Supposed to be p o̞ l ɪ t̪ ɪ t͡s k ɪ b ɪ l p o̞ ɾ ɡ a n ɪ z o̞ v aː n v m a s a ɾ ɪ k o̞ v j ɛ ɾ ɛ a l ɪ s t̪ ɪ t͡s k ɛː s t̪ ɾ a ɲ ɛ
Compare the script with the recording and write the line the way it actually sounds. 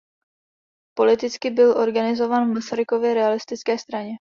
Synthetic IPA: p o̞ l ɪ t̪ ɪ t͡s k ɪ b ɪ l ʔ o̞ ɾ ɡ a n ɪ z o̞ v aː n v m a s a ɾ ɪ k o̞ v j ɛ ɾ ɛ a l ɪ s t̪ ɪ t͡s k ɛː s t̪ ɾ a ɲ ɛ